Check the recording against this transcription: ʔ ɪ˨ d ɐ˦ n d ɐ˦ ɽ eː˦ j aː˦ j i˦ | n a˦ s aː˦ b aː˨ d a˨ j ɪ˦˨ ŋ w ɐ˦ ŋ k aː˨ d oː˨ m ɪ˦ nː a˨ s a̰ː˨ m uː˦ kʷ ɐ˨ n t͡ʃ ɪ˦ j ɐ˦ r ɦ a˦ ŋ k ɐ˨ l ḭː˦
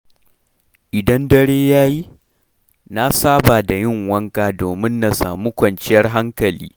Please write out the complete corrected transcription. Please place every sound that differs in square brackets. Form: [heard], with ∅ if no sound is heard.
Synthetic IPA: ʔ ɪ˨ d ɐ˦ n d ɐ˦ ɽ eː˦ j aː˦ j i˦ | n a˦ s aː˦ b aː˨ d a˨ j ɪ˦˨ ŋ w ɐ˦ ŋ k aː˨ d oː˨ m ɪ˦ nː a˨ s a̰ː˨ m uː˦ kʷ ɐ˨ n t͡ʃ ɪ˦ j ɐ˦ r ɦ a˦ ŋ k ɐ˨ l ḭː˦